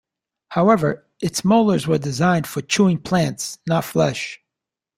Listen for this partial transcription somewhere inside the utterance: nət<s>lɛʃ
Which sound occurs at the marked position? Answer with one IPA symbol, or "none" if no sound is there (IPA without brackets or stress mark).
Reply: f